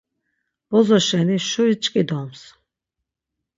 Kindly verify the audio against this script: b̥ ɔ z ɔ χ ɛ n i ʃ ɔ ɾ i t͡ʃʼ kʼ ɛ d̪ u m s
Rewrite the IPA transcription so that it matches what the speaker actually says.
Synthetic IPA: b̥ ɔ z ɔ ʃ ɛ n i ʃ u ɾ i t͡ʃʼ kʼ i d̪ ɔ m s

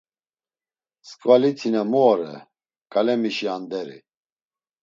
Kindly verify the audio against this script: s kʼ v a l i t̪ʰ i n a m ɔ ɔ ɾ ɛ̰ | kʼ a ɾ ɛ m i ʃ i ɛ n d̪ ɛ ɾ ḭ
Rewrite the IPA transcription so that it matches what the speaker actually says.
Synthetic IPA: s kʼ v a l i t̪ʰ i n a m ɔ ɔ ɾ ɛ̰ | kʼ a l ɛ m i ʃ i a n d̪ ɛ ɾ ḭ

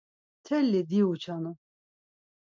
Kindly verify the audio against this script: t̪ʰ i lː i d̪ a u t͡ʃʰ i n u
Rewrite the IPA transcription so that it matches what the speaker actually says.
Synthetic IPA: t̪ʰ ɛ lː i d̪ i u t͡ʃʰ a n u

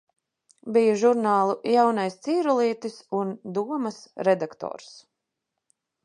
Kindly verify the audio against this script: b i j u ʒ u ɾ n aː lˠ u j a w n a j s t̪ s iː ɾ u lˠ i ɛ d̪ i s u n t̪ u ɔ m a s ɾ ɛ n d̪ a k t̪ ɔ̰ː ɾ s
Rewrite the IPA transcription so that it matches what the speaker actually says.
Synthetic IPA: b i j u ʒ u ɾ n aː lˠ u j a w n a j s t̪ s iː ɾ u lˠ i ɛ t̪ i s u n d̪ u ɔ m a s ɾ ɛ d̪ a k t̪ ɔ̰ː ɾ s

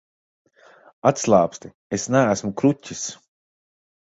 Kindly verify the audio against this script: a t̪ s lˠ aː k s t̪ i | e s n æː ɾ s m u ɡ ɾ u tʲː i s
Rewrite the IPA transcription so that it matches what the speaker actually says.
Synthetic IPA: a t̪ s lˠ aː p s t̪ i | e s n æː s m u k ɾ u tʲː i s

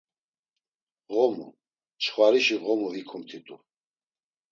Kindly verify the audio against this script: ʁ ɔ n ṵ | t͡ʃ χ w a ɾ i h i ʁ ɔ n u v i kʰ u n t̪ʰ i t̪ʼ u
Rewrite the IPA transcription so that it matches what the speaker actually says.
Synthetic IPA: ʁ ɔ m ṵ | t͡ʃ χ w a ɾ i ʃ i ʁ ɔ m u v i kʰ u m t̪ʰ i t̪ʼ u

